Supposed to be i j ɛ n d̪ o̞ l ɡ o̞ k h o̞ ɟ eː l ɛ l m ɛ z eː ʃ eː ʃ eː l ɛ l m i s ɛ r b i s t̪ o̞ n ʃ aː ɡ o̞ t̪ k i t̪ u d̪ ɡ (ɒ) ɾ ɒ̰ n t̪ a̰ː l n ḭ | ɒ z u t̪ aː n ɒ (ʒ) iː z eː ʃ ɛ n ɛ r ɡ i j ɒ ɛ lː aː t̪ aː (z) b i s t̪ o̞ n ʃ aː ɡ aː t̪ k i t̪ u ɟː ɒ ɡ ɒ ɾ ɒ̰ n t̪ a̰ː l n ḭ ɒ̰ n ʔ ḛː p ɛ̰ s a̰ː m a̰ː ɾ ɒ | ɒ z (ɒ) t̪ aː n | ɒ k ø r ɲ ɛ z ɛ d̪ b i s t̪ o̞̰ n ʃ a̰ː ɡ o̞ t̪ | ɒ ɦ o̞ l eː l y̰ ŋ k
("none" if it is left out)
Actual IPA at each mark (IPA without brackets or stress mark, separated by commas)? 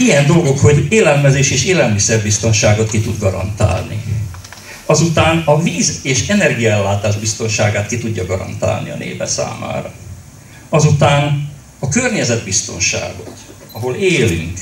ɒ, v, ʒ, u